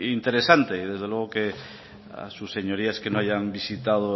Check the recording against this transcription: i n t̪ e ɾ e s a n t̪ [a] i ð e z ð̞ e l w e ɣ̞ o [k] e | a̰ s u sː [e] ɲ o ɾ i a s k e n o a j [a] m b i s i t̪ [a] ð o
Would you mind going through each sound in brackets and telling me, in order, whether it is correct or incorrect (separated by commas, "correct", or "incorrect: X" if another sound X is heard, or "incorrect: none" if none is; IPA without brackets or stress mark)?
incorrect: e, correct, correct, correct, correct